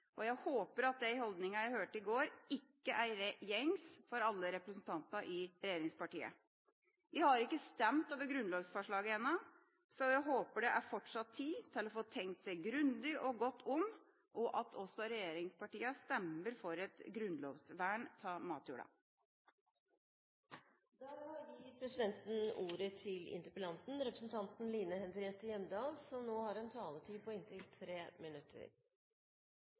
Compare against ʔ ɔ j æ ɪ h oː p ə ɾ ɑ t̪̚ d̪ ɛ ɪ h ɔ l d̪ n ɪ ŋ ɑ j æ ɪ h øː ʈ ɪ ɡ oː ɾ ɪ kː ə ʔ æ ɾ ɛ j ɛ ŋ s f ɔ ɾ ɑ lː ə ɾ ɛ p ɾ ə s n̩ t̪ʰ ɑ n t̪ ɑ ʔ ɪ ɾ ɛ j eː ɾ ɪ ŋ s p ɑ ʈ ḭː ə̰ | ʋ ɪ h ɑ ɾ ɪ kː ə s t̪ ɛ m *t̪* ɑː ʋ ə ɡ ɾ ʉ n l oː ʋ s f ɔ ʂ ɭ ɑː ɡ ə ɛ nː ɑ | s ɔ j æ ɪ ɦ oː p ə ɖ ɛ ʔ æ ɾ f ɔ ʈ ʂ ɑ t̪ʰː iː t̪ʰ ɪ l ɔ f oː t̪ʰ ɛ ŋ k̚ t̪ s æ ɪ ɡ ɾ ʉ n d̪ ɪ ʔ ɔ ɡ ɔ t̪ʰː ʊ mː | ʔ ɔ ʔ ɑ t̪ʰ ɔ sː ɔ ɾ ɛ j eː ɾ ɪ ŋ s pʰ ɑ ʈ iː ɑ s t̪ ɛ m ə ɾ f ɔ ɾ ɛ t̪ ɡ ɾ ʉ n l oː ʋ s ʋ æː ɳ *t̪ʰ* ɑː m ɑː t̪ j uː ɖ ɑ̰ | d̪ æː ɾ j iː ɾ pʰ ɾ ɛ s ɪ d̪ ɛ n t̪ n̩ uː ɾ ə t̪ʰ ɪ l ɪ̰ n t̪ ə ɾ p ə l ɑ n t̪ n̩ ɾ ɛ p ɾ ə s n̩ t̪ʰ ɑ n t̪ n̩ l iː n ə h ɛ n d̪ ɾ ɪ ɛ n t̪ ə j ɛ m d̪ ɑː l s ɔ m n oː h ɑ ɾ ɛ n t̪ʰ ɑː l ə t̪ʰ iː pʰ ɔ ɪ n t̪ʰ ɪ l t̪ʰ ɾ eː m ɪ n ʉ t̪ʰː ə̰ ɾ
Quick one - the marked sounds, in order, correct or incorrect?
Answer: correct, correct

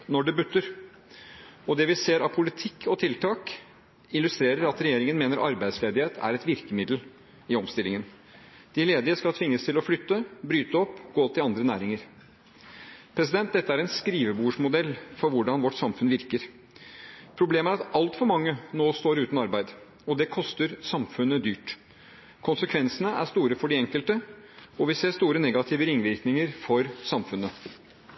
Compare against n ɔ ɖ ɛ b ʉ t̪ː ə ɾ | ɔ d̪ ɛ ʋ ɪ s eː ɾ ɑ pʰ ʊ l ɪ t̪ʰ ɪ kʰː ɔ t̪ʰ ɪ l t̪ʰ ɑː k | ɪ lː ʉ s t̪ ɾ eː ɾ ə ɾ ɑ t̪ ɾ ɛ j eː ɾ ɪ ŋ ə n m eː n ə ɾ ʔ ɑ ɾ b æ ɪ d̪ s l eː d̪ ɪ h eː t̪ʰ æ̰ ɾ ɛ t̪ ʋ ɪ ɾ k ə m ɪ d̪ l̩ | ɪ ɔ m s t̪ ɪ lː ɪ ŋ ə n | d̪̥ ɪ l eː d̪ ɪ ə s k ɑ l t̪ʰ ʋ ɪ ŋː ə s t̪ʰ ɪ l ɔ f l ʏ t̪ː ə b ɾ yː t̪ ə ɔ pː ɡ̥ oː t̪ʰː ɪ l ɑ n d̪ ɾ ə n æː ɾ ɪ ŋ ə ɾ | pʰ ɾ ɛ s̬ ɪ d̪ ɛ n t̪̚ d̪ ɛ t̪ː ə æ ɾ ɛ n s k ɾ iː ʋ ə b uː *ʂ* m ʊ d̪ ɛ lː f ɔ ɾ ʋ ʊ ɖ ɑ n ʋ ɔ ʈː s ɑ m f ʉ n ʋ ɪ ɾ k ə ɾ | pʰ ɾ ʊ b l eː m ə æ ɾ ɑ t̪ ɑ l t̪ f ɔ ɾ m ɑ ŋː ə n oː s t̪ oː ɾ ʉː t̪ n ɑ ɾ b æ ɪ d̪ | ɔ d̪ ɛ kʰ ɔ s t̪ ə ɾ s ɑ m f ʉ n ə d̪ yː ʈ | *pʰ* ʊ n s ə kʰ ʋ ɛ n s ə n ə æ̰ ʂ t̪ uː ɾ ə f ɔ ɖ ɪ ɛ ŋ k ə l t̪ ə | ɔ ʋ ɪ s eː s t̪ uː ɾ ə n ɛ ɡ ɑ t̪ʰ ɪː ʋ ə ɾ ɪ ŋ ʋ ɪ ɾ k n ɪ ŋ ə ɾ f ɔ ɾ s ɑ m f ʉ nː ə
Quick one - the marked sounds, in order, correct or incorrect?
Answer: correct, incorrect

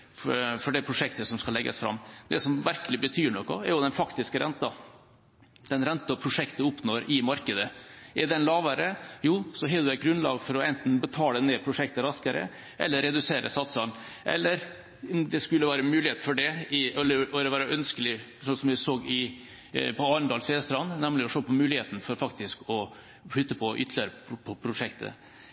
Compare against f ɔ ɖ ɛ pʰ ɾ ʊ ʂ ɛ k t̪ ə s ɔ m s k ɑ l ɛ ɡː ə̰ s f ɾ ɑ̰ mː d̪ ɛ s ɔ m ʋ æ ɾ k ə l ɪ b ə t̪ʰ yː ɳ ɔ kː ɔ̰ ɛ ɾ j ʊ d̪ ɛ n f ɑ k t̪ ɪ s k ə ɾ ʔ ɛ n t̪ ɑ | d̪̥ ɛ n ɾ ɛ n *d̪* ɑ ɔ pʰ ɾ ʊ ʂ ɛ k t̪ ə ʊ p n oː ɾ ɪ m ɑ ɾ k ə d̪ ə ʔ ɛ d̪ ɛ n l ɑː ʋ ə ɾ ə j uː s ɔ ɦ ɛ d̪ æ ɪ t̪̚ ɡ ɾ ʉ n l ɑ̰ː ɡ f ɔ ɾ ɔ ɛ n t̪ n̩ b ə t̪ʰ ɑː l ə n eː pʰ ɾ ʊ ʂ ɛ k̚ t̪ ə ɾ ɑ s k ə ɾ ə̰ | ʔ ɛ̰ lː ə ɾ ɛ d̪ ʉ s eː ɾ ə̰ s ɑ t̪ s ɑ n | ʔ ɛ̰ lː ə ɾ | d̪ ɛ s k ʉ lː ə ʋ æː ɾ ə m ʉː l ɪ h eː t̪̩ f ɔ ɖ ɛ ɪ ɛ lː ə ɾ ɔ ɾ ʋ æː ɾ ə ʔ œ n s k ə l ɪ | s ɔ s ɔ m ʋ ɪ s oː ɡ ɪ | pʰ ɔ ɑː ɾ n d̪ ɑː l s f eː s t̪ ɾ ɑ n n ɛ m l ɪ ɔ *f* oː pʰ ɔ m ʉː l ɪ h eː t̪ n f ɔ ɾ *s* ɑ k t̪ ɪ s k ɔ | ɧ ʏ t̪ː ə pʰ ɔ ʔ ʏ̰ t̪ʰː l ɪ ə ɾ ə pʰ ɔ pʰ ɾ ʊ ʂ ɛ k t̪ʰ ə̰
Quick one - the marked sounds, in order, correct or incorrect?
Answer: incorrect, incorrect, incorrect

